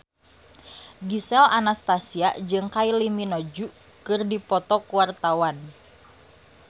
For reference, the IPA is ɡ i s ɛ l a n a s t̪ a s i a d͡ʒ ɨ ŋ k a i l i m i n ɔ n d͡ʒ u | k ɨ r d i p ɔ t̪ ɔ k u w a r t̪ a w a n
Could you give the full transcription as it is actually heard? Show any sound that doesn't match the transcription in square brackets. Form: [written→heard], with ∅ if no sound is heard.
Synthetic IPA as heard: ɡ i s ɛ l a n a s t̪ a s i a d͡ʒ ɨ ŋ k a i l i m i n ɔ [n→∅] d͡ʒ u | k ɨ r d i p ɔ t̪ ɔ k u w a r t̪ a w a n

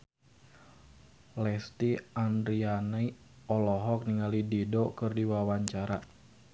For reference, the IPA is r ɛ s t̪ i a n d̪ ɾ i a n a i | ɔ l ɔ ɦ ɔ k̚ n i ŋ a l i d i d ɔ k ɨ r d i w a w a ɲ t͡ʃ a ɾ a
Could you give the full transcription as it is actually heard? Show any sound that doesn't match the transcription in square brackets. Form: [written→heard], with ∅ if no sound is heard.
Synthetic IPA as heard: [r→l] ɛ s t̪ i a n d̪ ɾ i a n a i | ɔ l ɔ ɦ ɔ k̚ n i ŋ a l i d i d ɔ k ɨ r d i w a w a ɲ t͡ʃ a ɾ a

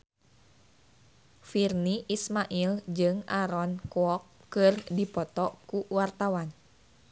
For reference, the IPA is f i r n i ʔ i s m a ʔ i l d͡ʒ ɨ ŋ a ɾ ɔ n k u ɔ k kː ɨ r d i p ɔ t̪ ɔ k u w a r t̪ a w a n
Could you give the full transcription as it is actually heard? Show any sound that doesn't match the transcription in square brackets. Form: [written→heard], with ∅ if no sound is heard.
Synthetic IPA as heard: f i r n i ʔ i s m a ʔ i l d͡ʒ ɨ ŋ a ɾ ɔ n k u ɔ k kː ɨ r d i p ɔ t̪ ɔ k u w a r t̪ a w a n

